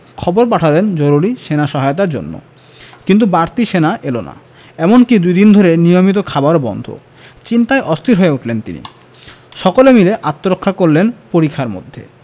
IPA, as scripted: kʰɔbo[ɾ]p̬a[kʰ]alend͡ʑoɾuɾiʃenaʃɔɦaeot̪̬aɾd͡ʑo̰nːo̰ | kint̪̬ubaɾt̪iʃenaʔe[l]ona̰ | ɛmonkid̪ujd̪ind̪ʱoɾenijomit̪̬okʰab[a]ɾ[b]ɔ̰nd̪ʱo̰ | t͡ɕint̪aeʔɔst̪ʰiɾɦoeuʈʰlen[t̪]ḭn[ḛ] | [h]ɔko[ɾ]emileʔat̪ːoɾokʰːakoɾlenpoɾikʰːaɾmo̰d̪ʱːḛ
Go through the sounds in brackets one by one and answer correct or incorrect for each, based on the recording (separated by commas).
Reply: correct, incorrect, correct, correct, correct, correct, incorrect, incorrect, incorrect